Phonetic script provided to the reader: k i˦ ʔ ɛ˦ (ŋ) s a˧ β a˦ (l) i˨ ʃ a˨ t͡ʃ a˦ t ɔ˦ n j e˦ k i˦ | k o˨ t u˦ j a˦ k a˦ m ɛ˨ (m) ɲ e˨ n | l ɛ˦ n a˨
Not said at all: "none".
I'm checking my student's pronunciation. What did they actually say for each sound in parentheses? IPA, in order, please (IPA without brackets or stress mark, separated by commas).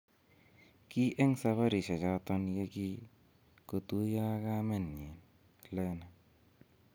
ŋ, ɾ, n